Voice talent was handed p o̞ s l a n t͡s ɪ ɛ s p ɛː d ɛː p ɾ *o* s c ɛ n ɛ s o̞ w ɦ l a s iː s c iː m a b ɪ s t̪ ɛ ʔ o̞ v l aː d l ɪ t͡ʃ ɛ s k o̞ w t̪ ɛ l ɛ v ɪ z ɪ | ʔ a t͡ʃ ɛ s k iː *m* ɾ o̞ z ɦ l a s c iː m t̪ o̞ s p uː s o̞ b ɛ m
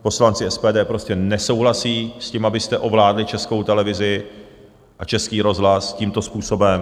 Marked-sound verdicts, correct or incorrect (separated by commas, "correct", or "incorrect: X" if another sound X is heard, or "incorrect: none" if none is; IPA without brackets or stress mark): correct, incorrect: none